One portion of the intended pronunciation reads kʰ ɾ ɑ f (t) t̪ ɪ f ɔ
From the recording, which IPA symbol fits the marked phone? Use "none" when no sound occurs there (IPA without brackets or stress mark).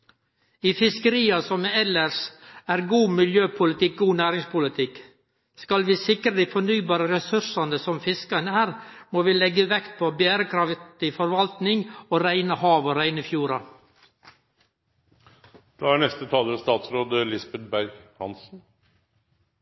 t